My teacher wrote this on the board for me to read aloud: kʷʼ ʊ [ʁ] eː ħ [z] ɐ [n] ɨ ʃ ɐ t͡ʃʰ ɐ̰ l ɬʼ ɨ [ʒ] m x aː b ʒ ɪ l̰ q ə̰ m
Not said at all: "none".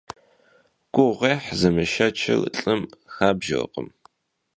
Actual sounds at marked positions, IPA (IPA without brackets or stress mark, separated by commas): ʁ, z, m, none